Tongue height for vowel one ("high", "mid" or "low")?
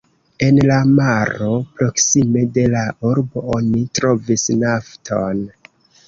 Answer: mid